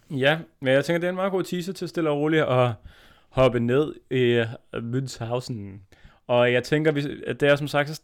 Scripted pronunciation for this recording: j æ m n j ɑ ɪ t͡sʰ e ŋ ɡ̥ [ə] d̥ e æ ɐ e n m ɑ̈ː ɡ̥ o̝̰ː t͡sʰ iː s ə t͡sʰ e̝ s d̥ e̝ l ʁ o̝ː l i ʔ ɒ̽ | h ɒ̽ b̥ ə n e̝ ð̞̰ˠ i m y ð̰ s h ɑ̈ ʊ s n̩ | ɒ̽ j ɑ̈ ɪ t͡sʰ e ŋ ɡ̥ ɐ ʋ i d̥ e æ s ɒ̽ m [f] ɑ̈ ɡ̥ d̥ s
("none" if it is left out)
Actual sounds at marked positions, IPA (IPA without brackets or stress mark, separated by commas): ɐ, s